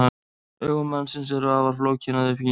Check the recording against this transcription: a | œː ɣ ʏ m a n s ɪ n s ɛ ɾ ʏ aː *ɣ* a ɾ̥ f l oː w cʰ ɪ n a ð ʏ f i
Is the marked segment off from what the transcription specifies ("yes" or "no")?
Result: yes